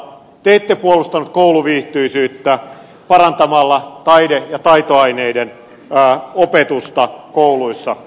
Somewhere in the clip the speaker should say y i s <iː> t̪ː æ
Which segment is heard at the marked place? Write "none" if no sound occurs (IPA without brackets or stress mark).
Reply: yː